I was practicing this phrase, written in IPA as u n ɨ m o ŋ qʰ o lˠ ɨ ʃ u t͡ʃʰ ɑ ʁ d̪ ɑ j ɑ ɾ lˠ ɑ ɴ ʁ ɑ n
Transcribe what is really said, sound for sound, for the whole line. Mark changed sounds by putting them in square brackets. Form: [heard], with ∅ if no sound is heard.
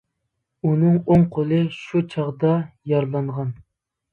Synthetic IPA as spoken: u n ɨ [ŋ] o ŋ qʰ o lˠ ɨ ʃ u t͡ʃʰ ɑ ʁ d̪ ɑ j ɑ ɾ lˠ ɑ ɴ ʁ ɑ n